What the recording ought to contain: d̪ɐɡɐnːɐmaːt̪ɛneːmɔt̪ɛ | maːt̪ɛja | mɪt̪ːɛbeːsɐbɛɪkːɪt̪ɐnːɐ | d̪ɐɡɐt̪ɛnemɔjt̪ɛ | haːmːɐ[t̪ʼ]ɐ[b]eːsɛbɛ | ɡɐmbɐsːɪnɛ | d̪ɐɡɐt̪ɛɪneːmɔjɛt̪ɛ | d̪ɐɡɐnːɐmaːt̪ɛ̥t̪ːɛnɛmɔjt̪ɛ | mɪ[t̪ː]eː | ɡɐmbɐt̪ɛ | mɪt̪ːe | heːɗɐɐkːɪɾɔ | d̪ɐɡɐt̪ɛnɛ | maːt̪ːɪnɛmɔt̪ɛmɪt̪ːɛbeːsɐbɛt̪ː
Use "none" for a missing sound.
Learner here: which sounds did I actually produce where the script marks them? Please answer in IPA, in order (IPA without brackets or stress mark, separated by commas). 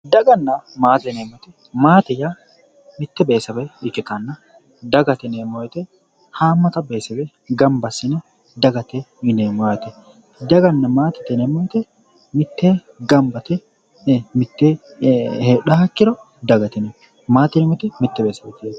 t̪, b, t̪ː